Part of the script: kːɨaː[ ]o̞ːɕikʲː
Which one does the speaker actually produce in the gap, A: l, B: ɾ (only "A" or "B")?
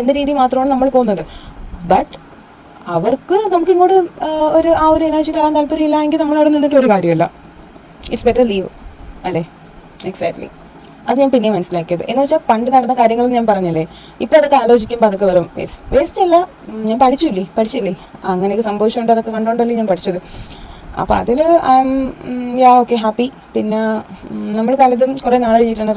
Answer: A